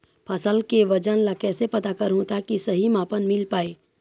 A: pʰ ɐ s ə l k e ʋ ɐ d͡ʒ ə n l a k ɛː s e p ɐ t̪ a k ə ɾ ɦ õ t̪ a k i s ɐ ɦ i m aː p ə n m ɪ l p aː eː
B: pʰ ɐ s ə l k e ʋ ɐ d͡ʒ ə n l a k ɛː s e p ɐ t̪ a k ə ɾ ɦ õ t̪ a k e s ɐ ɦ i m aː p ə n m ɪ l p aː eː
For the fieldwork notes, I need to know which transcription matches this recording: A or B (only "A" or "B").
A